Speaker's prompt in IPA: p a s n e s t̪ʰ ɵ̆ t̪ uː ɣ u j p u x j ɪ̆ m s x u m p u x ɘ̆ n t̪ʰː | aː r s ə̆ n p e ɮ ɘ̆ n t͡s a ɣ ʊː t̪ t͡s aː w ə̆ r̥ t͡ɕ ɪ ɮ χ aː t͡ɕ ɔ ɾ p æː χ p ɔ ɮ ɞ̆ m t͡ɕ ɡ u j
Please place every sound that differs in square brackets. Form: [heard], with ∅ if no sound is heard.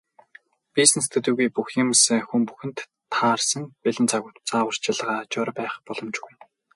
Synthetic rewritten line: p [i] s n e s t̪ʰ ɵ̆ t̪ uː ɣ u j p u x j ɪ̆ m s x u m p u x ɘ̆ n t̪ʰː | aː r s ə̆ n p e ɮ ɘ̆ n t͡s a ɣ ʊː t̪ t͡s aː w ə̆ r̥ t͡ɕ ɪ ɮ [ʁ] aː t͡ɕ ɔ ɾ p æː χ p ɔ ɮ ɞ̆ m t͡ɕ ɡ u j